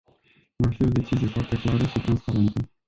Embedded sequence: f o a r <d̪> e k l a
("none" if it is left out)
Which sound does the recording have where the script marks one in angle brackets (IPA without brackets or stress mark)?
t̪